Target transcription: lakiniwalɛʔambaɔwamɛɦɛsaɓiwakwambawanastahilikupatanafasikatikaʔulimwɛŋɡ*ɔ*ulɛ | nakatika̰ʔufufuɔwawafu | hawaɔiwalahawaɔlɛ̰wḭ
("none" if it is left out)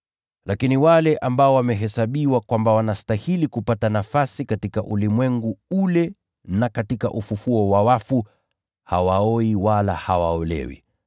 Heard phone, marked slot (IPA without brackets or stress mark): u